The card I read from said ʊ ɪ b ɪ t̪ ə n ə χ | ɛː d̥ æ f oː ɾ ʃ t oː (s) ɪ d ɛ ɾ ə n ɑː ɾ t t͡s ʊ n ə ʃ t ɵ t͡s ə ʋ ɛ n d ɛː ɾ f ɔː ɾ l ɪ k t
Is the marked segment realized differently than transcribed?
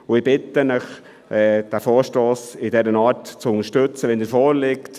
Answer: no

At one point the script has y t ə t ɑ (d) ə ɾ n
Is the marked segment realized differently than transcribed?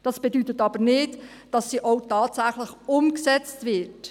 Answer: yes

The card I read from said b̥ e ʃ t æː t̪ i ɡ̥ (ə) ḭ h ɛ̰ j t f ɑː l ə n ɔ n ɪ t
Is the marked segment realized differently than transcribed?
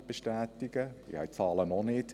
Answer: no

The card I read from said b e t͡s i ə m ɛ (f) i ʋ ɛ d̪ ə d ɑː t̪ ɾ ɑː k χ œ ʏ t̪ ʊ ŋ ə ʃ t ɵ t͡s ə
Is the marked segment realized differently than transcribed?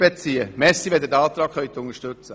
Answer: yes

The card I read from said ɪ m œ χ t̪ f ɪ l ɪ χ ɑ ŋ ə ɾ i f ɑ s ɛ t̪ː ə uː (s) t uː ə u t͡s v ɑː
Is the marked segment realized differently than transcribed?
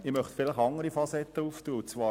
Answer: yes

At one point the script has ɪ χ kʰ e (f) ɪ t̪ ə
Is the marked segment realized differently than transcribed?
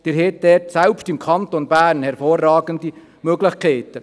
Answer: yes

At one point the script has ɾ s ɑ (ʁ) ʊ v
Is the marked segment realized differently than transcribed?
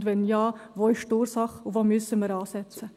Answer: yes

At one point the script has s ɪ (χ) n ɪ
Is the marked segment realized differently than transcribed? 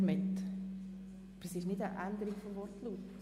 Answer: yes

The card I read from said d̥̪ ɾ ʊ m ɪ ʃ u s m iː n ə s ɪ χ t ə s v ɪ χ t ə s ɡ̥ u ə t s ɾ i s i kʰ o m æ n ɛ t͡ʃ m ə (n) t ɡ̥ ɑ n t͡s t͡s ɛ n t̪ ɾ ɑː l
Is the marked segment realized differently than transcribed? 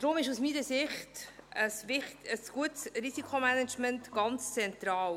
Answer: no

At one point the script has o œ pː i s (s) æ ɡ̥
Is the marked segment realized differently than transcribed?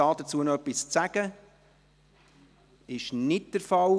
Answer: yes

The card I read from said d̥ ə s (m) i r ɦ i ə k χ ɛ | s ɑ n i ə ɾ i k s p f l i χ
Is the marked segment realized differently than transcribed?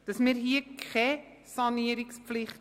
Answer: no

